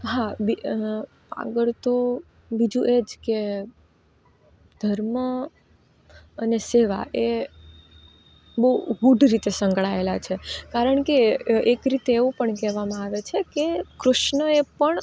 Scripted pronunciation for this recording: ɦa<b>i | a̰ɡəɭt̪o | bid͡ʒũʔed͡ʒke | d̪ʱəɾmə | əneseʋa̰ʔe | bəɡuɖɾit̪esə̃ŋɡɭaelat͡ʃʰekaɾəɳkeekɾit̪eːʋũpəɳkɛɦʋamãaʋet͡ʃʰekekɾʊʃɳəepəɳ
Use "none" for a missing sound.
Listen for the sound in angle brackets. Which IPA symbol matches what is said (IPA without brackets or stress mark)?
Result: b